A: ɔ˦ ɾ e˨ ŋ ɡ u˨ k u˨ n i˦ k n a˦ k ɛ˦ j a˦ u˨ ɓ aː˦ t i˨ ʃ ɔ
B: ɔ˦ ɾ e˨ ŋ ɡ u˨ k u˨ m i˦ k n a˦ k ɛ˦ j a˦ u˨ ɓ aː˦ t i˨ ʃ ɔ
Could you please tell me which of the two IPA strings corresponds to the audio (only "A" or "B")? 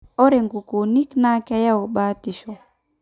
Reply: A